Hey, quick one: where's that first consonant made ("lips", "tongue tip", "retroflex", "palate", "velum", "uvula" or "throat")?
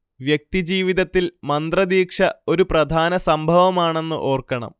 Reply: lips